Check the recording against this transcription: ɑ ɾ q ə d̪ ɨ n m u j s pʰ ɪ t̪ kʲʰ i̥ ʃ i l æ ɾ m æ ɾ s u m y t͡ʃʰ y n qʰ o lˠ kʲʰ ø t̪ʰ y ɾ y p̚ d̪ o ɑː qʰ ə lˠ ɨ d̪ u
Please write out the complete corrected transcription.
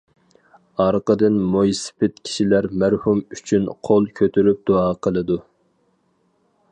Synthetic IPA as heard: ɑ ɾ q ə d̪ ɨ n m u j s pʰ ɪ t̪ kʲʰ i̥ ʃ i l æ ɾ m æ ɾ h u m y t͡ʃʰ y n qʰ o lˠ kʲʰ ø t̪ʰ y ɾ y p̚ d̪ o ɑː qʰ ə lˠ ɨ d̪ u